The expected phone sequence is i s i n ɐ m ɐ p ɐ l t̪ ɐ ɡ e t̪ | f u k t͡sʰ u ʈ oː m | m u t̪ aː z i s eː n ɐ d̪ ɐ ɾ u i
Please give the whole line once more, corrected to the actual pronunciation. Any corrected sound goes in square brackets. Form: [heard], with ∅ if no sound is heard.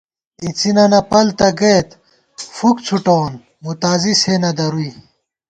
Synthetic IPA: i [t͡s] i n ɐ [n] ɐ p ɐ l t̪ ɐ ɡ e t̪ | f u k t͡sʰ u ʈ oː [n] | m u t̪ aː z i s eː n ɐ d̪ ɐ ɾ u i